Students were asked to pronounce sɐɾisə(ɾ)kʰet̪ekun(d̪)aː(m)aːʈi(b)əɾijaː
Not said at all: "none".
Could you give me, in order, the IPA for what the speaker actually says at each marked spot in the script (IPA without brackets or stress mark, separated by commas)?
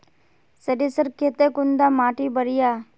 ɾ, d̪, m, b